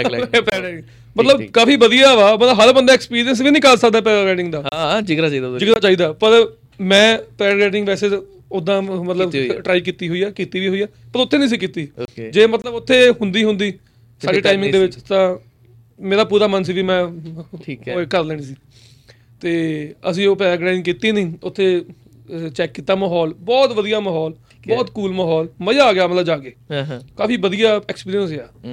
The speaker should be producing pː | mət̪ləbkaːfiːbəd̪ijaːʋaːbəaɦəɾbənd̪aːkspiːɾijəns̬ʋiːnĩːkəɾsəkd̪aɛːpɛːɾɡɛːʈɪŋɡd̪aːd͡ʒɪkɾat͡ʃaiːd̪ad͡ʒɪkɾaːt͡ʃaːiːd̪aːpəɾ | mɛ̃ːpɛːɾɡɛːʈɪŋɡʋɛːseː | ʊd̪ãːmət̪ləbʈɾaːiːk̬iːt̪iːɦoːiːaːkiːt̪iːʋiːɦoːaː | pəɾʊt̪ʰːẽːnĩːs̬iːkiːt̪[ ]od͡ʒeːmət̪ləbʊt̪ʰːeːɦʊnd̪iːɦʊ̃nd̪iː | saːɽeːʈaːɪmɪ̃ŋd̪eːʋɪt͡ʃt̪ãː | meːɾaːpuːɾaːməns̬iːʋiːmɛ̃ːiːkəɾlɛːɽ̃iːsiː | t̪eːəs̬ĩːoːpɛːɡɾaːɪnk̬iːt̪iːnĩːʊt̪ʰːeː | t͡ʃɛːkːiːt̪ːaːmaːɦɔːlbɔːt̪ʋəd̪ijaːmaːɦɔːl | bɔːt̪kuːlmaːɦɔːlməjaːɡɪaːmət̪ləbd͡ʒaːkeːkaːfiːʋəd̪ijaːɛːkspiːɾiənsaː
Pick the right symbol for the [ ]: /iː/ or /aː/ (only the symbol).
iː